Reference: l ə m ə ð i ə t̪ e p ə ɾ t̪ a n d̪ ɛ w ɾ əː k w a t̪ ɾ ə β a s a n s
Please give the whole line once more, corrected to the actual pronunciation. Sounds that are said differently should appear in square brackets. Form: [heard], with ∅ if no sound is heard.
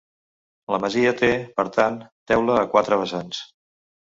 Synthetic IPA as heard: l ə m ə [z] i ə t̪ e p ə ɾ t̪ a n [t̪] ɛ w [l] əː k w a t̪ ɾ ə β [ə] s a n s